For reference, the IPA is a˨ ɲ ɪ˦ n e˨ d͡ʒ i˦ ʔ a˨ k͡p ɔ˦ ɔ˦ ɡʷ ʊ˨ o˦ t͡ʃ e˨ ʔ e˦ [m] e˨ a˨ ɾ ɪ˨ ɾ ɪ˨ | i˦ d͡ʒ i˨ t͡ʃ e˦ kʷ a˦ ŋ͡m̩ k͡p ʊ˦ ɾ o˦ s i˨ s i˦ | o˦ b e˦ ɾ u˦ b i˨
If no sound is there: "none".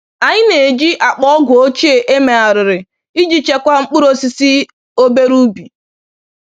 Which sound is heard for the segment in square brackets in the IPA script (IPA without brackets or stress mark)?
m